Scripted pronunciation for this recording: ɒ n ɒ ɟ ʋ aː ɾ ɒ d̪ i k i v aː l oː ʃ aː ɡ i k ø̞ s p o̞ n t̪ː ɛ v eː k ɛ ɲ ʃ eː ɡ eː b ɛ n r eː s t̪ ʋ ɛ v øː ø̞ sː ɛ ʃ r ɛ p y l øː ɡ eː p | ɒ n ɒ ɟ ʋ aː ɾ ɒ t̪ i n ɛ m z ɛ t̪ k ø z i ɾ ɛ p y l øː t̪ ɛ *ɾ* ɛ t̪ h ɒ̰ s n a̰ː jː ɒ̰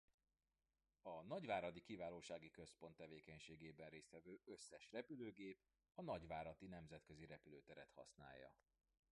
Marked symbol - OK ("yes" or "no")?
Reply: yes